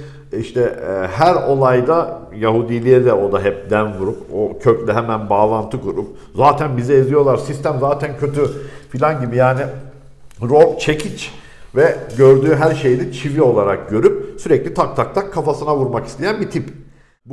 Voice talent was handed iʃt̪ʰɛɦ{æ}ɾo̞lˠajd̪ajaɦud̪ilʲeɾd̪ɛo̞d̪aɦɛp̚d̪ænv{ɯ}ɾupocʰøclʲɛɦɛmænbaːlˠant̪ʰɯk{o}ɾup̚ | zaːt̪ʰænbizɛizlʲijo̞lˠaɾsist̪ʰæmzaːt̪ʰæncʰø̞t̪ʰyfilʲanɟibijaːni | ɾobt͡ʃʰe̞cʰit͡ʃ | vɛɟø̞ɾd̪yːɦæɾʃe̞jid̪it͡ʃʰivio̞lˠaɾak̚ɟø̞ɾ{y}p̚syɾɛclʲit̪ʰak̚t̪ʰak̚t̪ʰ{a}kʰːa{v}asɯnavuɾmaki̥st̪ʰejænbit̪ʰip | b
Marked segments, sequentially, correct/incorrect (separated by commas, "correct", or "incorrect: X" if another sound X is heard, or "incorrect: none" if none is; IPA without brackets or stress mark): correct, incorrect: u, incorrect: u, correct, correct, incorrect: f